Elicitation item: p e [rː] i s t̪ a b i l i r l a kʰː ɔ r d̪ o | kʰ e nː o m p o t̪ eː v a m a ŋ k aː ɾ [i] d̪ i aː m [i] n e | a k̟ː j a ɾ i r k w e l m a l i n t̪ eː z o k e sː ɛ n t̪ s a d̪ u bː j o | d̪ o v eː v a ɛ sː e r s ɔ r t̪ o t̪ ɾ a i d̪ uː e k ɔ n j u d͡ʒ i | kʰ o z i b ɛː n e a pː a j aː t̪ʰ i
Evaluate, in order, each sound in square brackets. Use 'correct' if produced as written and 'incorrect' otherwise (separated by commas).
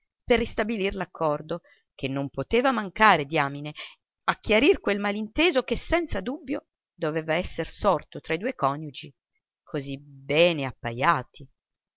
correct, incorrect, correct